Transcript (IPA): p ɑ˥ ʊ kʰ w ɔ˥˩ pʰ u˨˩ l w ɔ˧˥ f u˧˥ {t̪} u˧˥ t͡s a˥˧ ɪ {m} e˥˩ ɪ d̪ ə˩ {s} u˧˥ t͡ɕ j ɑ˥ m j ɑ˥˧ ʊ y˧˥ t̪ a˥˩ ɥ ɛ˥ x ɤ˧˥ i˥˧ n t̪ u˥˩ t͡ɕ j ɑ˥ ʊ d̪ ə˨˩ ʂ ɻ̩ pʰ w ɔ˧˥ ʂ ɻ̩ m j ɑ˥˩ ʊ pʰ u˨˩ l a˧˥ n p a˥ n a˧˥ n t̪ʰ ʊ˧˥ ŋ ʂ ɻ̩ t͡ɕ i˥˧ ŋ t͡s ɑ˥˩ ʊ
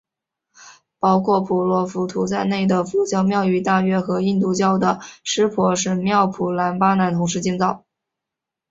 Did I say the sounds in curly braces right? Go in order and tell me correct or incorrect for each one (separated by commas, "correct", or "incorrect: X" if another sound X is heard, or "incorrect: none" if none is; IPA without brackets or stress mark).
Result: incorrect: t̪ʰ, incorrect: n, incorrect: f